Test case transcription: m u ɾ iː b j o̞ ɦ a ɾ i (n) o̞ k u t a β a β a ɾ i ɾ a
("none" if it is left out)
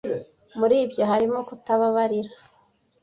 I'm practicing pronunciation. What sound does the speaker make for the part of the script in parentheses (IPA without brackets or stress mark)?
m